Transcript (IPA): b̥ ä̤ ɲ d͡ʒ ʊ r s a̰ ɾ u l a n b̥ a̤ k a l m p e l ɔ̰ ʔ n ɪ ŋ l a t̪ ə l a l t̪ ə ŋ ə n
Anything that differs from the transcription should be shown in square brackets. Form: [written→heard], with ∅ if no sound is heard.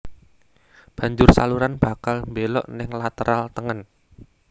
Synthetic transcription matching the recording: b̥ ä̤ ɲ d͡ʒ ʊ r s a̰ [ɾ→l] u [l→ɾ] a n b̥ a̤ k a l m [p→b] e l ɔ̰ ʔ n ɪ ŋ l a t̪ ə [l→ɾ] a l t̪ ə ŋ ə n